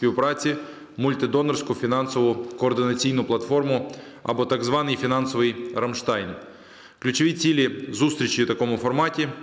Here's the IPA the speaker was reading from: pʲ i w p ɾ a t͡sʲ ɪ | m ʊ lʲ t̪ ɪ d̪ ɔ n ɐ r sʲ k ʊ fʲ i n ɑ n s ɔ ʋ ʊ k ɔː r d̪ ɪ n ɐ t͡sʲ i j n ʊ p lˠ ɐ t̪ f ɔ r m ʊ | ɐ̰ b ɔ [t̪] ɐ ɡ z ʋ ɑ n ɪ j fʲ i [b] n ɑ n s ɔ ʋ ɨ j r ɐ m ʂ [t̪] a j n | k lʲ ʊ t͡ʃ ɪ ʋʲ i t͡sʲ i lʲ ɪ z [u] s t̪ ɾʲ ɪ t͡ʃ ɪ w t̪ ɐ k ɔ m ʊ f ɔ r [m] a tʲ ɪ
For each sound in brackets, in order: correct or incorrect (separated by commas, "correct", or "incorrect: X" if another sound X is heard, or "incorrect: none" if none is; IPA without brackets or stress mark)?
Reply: correct, incorrect: none, correct, correct, correct